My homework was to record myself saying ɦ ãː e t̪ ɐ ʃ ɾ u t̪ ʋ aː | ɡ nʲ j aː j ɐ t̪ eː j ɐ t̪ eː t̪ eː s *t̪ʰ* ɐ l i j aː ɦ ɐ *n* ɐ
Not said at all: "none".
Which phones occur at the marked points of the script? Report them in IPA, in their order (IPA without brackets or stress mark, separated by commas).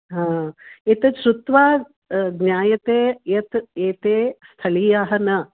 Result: t̪ʰ, n